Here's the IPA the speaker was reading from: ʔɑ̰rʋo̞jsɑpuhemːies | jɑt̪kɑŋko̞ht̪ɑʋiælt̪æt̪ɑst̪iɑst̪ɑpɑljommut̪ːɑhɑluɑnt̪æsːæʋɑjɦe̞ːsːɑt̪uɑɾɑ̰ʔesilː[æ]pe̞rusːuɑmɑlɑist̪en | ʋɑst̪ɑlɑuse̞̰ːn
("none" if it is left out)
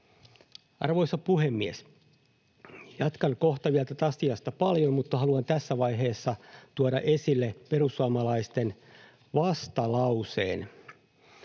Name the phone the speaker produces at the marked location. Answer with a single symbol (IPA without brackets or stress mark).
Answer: e